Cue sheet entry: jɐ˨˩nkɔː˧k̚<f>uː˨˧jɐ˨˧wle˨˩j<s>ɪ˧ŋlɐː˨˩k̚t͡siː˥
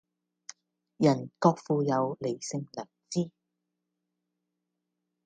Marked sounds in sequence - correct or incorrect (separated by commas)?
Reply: correct, correct